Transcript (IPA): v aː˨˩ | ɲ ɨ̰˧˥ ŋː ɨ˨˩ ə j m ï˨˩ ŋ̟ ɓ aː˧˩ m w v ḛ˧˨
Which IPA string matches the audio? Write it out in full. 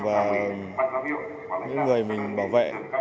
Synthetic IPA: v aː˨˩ | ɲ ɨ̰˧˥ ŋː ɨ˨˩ ə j m ï˨˩ ŋ̟ ɓ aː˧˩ w v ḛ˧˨

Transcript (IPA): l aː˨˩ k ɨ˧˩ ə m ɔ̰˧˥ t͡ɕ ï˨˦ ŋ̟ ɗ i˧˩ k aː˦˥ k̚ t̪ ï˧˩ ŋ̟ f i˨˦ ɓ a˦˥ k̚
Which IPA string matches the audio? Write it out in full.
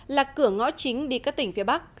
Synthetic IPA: l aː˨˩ k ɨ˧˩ ə ŋ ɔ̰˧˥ t͡ɕ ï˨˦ ŋ̟ ɗ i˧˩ k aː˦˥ k̚ t̪ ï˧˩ ŋ̟ f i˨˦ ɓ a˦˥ k̚

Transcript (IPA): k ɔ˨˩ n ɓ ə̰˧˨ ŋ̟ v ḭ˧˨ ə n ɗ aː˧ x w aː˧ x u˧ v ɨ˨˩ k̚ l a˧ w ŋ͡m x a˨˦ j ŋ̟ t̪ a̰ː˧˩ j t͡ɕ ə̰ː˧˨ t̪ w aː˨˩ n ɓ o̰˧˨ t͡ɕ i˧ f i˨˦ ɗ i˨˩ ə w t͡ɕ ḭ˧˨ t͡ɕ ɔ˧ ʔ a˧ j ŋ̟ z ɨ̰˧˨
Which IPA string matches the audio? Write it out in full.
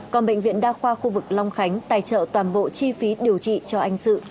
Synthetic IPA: k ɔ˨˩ n ɓ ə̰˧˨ ŋ̟ v ḭ˧˨ ə n ɗ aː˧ x w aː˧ x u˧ v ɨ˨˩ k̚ l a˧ w ŋ͡m x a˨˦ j ŋ̟ t̪ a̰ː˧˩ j t͡ɕ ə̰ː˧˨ t̪ w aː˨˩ n ɓ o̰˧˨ t͡ɕ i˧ f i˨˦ ɗ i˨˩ ə w t͡ɕ ḭ˧˨ t͡ɕ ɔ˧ ʔ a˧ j ŋ̟ s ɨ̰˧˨

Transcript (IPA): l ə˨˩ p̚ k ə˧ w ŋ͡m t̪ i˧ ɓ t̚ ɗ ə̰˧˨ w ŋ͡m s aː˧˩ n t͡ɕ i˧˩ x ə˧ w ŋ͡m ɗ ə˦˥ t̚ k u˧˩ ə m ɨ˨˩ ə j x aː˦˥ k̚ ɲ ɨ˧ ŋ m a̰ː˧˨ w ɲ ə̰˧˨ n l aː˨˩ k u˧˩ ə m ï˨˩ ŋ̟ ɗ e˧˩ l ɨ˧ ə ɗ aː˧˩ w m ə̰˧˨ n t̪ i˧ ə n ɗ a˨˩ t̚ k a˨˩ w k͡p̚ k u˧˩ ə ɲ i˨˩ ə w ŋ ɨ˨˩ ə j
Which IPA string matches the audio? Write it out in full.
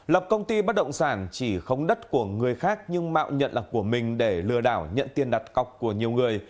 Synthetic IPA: l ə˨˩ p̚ k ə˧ w ŋ͡m t̪ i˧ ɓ t̚ ɗ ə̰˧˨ w ŋ͡m s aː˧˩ n t͡ɕ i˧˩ x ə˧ w ŋ͡m ɗ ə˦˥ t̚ k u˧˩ ə ŋ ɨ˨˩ ə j x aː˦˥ k̚ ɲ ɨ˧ ŋ m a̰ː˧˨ w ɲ ə̰˧˨ n l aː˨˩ k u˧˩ ə m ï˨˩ ŋ̟ ɗ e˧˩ l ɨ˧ ə ɗ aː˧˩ w ɲ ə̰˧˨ n t̪ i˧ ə n ɗ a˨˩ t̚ k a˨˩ w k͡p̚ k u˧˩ ə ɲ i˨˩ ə w ŋ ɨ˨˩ ə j

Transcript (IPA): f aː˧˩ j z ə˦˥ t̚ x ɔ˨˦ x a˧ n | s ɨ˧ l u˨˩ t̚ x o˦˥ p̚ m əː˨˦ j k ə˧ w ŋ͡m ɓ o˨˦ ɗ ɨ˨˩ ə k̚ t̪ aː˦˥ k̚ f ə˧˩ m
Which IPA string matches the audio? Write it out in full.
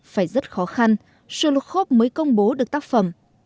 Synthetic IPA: f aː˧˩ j z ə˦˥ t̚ x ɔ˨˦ x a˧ n | s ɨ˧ l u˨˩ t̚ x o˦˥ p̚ m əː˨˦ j k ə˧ w ŋ͡m ɓ o˨˦ ɗ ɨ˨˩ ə k̚ t̪ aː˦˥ k̚ f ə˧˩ m

